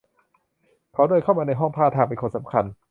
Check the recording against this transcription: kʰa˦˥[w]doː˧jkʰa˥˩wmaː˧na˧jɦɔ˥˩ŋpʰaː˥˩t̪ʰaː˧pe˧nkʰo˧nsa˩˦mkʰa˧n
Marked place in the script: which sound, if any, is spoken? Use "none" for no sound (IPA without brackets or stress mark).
w